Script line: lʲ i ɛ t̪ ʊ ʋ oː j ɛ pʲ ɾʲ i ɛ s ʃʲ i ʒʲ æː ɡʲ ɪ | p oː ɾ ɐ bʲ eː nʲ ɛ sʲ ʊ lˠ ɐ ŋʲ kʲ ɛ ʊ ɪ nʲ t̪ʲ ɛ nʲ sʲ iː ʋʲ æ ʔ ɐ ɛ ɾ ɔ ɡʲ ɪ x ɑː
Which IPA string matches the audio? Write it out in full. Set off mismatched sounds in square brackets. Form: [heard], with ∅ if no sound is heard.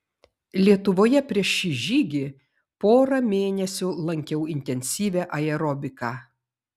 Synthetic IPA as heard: lʲ i ɛ t̪ ʊ ʋ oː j ɛ pʲ ɾʲ i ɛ [ʃ] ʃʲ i ʒʲ [iː] ɡʲ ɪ | p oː ɾ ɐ [mʲ] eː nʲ ɛ sʲ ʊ lˠ ɐ ŋʲ kʲ ɛ ʊ ɪ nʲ t̪ʲ ɛ nʲ sʲ iː ʋʲ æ ʔ ɐ ɛ ɾ ɔ [bʲ] ɪ [k] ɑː